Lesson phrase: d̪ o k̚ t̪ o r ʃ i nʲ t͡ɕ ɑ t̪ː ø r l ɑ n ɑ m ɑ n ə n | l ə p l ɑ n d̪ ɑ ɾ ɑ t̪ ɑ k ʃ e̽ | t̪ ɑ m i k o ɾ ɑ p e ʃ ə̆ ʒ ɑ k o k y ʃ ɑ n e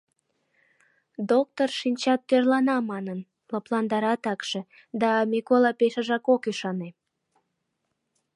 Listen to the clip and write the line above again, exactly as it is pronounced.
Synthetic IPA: d̪ o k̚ t̪ o r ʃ i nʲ t͡ɕ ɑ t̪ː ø r l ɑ n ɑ m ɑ n ə n | l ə p l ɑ n d̪ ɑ ɾ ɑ t̪ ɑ k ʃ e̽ | d̪ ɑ m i k o l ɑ p e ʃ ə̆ ʒ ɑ k o k y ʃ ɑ n e